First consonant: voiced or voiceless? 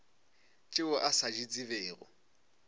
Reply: voiceless